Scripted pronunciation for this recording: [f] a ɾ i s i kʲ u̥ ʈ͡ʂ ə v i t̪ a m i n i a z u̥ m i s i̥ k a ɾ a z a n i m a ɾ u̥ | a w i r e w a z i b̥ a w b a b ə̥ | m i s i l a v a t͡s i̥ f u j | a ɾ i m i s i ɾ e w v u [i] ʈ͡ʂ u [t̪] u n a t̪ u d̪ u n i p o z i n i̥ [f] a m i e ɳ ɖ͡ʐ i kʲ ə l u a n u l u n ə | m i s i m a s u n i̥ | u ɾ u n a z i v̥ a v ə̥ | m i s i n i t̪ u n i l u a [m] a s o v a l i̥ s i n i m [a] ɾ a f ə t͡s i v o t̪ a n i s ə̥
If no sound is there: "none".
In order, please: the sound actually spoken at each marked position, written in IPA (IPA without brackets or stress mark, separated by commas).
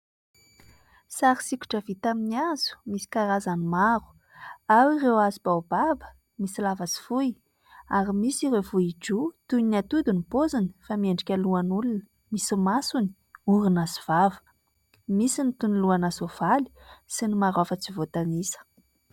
s, i, t̪, f, n, a